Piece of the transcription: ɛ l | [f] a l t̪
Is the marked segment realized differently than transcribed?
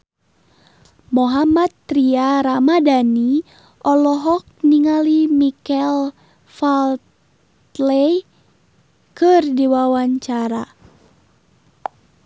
no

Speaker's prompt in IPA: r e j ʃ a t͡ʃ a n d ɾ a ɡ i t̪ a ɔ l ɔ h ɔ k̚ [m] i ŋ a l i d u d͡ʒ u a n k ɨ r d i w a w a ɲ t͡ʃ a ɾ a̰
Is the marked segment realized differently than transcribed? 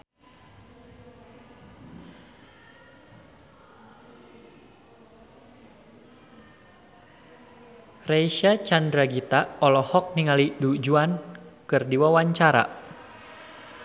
yes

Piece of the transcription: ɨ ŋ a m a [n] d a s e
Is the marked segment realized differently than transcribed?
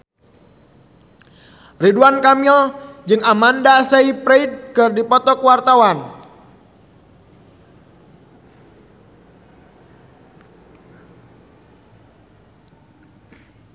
no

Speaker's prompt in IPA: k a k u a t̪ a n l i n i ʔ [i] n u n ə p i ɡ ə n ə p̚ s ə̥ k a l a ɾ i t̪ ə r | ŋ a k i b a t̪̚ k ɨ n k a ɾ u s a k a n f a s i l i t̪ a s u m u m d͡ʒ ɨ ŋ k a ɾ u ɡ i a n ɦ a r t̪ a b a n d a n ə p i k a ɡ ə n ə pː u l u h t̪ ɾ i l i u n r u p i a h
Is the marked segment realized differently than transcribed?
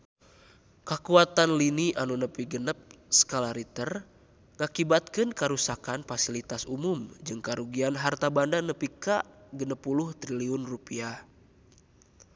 yes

